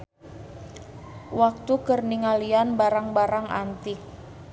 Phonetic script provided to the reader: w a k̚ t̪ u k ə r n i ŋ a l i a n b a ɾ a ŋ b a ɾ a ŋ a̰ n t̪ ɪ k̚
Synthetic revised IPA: w a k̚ t̪ u k ə r n i ŋ a l i a n b a ɾ a ŋ b a ɾ a ŋ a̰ n t̪ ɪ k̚